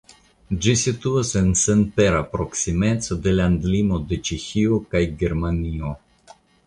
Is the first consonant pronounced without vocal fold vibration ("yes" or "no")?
no